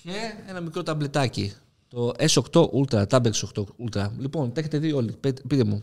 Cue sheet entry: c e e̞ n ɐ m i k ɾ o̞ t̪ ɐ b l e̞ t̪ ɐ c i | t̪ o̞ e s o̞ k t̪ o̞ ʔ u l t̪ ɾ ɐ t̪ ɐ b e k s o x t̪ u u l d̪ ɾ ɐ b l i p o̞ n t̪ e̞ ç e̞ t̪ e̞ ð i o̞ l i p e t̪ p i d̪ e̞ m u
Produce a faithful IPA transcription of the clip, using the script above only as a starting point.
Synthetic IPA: c e e̞ n ɐ m i k ɾ o̞ t̪ ɐ b l e̞ t̪ ɐ c i | t̪ o̞ e s o̞ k t̪ o̞ ʔ u l t̪ ɾ ɐ t̪ ɐ b e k s o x t̪ o u l t̪ ɾ ɐ l i p o̞ n t̪ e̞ ç e̞ t̪ e̞ ð i o̞ l i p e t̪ p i t̪ e̞ m u